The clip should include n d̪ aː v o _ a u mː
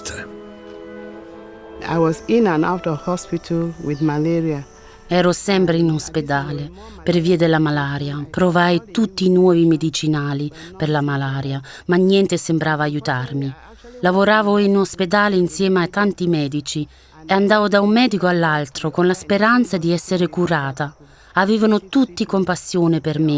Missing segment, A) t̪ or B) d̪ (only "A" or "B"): B